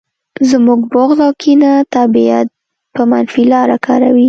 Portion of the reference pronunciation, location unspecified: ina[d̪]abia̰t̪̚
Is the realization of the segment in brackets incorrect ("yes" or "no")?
yes